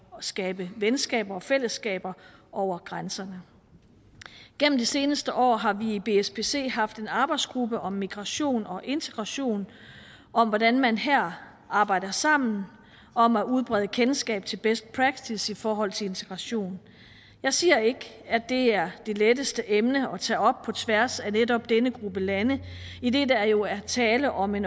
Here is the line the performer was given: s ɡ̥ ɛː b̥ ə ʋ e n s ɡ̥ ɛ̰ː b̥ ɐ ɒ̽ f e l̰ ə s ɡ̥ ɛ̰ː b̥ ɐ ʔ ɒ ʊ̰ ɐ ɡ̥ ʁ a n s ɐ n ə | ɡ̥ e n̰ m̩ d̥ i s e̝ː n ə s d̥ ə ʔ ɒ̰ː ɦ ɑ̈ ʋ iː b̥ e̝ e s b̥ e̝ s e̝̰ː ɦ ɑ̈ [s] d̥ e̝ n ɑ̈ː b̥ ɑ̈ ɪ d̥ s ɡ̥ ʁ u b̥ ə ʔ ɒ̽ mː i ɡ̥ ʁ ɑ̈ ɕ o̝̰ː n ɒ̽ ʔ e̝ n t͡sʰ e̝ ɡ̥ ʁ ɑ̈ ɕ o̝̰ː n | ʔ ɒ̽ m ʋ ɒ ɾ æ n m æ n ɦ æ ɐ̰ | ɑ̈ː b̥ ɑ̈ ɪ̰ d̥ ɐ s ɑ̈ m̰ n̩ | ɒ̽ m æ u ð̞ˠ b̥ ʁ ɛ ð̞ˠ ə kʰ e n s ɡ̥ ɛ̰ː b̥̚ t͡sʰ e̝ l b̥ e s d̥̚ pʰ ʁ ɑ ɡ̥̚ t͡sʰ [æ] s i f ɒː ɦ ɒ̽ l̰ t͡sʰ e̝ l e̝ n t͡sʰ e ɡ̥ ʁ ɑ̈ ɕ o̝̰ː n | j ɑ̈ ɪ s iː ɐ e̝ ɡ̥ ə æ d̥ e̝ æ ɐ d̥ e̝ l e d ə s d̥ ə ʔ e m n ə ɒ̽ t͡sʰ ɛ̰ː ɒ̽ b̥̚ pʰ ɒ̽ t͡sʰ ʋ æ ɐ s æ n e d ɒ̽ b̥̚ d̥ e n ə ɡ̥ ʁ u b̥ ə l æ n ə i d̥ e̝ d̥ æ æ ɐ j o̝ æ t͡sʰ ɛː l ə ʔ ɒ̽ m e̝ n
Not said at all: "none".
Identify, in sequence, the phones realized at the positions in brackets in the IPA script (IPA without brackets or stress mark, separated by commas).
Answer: f, i